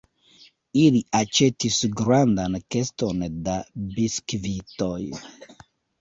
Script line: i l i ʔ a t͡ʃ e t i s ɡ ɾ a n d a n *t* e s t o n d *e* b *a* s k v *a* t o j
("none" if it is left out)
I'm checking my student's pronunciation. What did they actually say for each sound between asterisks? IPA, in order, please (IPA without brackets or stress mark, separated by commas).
k, a, i, i